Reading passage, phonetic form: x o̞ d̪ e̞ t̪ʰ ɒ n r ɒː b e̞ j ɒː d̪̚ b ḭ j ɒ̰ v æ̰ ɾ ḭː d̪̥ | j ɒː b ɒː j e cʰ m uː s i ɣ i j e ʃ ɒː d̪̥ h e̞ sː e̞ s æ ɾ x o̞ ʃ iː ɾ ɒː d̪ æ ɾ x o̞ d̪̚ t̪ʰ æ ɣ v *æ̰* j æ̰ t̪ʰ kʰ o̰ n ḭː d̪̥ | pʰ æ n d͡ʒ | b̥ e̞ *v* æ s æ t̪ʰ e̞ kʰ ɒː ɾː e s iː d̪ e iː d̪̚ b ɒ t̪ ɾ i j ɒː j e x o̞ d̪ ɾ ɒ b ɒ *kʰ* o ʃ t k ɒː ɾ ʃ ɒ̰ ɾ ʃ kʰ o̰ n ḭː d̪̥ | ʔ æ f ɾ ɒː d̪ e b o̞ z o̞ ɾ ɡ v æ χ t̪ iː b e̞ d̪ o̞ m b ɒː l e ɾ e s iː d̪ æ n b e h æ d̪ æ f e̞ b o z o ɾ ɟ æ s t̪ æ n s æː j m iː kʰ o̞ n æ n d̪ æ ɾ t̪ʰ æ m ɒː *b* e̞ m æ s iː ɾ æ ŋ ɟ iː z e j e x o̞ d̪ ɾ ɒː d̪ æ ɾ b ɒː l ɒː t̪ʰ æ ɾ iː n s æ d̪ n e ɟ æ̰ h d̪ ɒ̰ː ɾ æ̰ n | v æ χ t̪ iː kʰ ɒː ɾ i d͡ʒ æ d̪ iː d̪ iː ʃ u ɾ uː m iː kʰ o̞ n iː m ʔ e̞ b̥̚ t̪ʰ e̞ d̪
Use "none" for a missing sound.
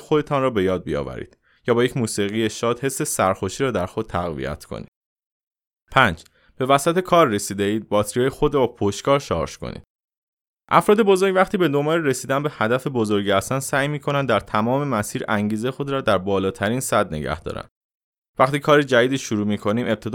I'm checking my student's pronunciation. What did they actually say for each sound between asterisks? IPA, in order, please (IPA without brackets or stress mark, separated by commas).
ḭ, v, pʰ, m